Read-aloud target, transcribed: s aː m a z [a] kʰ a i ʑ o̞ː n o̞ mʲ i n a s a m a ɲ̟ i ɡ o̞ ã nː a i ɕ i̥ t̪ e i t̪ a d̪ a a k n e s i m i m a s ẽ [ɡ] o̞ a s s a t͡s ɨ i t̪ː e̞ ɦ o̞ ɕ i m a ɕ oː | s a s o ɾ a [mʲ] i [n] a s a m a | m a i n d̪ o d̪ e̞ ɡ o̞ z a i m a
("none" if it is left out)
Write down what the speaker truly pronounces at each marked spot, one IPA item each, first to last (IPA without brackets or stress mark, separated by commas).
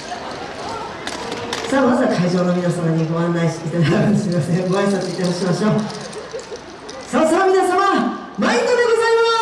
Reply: a, ɡ, mʲ, n